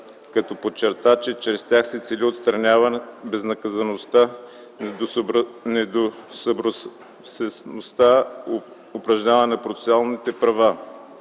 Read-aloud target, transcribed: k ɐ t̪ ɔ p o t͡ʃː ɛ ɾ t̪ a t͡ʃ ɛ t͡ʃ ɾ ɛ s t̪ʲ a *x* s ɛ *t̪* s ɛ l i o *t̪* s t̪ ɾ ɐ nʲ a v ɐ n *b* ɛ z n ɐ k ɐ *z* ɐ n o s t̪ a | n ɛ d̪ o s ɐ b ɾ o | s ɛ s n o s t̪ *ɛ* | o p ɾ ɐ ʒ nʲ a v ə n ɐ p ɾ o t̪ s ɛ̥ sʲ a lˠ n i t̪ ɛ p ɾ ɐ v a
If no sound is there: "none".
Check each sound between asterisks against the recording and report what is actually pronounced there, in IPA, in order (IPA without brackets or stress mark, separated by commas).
x, t̪, t̪, b, z, a